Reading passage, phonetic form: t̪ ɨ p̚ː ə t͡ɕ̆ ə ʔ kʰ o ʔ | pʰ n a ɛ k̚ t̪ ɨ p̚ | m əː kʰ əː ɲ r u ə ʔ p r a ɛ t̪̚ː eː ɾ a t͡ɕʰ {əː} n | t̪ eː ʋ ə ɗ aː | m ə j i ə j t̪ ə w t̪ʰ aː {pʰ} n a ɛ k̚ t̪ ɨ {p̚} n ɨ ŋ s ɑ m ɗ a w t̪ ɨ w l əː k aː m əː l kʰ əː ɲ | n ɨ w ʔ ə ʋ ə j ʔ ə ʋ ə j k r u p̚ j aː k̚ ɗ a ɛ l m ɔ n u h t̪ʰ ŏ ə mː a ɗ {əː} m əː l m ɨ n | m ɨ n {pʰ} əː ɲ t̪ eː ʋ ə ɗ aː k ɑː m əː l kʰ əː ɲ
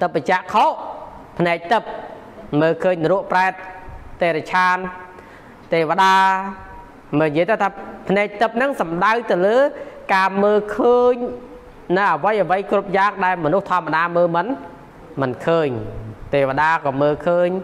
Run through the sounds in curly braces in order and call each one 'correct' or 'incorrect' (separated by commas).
incorrect, correct, correct, incorrect, incorrect